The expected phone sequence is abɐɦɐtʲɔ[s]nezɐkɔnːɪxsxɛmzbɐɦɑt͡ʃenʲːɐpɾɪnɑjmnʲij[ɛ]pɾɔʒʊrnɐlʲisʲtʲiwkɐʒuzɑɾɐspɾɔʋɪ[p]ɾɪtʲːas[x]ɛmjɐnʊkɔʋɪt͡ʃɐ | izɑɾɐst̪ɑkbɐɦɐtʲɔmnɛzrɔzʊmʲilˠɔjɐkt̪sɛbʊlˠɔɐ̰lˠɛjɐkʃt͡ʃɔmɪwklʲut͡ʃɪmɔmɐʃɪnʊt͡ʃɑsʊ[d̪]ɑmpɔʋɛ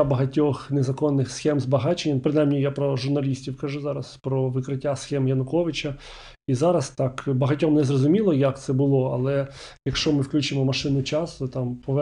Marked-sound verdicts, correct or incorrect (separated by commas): incorrect, incorrect, incorrect, correct, incorrect